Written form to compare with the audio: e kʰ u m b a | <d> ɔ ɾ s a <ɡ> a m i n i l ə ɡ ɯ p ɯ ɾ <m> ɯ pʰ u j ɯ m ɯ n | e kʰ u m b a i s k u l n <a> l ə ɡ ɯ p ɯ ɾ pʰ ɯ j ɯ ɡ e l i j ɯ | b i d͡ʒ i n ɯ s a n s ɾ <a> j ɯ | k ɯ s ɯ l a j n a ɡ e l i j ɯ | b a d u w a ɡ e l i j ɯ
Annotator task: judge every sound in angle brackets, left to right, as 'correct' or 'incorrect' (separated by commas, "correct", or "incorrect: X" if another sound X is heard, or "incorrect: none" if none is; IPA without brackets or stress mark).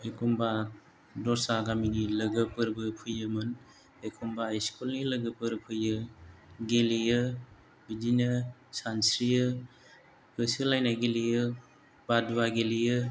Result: correct, correct, incorrect: b, incorrect: i, incorrect: i